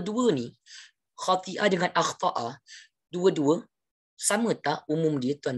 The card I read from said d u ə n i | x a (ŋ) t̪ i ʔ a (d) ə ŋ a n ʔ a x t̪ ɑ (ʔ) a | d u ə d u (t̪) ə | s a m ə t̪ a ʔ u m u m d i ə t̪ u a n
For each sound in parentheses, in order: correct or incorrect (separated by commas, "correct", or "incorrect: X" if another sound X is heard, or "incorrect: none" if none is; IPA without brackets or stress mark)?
incorrect: none, correct, correct, incorrect: none